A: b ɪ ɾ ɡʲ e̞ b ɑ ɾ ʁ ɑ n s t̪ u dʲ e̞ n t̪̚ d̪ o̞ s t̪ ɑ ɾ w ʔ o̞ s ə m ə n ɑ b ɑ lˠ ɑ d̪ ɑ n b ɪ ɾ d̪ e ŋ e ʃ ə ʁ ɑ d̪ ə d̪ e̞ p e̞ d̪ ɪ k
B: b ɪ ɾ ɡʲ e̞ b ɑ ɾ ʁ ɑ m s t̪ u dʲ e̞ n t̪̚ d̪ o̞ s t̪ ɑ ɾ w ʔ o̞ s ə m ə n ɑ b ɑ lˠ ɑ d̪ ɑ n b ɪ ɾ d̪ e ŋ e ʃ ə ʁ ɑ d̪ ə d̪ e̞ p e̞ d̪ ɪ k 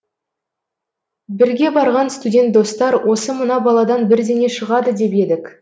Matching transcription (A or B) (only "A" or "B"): A